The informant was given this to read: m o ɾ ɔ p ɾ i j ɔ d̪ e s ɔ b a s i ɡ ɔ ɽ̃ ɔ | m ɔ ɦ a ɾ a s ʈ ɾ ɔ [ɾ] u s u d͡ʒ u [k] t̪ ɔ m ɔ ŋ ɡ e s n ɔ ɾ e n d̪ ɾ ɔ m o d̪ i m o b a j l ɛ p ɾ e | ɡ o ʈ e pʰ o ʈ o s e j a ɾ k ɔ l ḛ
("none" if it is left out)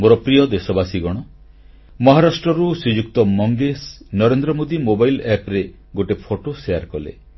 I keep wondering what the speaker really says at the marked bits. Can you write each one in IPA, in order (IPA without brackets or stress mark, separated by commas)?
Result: ɾ, k